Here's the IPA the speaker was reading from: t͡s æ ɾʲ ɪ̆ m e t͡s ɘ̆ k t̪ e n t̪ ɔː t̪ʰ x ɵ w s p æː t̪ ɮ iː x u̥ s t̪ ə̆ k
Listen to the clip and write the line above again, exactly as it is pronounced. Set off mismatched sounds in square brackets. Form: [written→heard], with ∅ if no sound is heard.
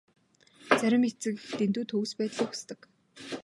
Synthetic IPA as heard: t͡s æ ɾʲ ɪ̆ m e t͡s ɘ̆ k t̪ e n t̪ [ɔː→uː] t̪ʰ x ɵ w s p æː t̪ ɮ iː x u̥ s t̪ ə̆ k